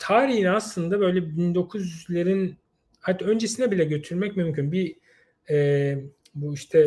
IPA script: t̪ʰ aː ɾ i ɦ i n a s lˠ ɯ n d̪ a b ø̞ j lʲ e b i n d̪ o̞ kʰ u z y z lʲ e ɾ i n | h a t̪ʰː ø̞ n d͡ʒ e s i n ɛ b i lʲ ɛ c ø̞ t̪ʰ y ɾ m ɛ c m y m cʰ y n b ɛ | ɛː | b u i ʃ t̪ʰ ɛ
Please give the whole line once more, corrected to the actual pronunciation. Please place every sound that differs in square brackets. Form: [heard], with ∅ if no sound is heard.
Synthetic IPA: t̪ʰ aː ɾ i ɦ i n a s lˠ ɯ n d̪ a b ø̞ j lʲ [ɛ] b i n d̪ o̞ kʰ u z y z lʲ e ɾ i n | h a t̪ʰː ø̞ n d͡ʒ e s i n ɛ b i lʲ ɛ [ɟ] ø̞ t̪ʰ y ɾ m ɛ c m y m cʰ y n b [i] | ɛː | b u i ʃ t̪ʰ ɛ